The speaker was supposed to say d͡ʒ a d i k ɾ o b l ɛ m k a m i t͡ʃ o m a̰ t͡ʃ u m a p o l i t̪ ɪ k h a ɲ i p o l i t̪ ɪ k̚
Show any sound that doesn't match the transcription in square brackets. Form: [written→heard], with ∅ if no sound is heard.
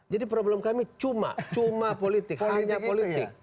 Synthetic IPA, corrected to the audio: d͡ʒ a d i [k→p] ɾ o b l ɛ m k a m i t͡ʃ [o→u] m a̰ t͡ʃ u m a p o l i t̪ ɪ k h a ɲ [i→a] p o l i t̪ ɪ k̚